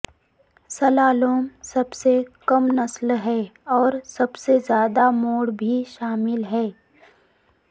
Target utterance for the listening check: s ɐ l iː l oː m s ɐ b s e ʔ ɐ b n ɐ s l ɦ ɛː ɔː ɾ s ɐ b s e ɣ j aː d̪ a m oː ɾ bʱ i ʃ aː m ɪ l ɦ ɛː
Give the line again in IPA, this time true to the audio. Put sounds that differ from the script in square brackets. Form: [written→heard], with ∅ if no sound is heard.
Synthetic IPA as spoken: s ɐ l [iː→aː] l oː m s ɐ b s e [ʔ→k] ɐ [b→m] n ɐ s l ɦ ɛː ɔː ɾ s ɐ b s e [ɣ→z] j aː d̪ a m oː [ɾ→ɽ] bʱ i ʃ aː m ɪ l ɦ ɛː